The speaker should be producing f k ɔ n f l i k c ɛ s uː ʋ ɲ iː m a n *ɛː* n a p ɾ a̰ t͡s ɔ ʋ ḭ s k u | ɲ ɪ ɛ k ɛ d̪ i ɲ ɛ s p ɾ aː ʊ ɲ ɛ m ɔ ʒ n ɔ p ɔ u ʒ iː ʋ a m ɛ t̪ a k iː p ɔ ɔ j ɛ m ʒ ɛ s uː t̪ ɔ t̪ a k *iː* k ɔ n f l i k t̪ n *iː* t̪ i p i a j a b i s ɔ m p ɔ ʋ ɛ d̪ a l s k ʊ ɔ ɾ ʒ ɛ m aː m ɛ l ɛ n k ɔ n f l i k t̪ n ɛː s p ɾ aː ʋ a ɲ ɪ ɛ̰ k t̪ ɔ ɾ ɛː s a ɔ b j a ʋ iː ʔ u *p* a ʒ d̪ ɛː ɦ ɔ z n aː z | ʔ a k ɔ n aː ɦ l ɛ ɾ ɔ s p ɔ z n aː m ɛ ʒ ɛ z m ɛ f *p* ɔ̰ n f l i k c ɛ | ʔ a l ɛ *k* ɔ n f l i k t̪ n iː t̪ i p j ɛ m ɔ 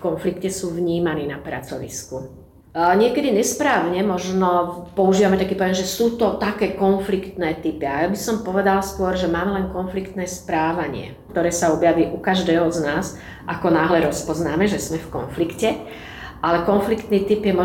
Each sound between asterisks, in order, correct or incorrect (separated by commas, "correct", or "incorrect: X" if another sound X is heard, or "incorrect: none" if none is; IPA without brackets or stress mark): incorrect: iː, incorrect: ɛː, incorrect: ɛː, incorrect: k, incorrect: k, correct